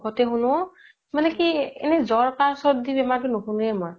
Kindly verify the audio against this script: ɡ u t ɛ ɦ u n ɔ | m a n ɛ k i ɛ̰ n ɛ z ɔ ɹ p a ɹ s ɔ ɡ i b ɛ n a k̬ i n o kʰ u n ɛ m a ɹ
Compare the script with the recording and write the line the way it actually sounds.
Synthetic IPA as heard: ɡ ɔ t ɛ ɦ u n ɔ | m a n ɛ k i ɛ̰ n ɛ z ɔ ɹ k a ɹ s ɔ d i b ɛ m a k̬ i n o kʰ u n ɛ m a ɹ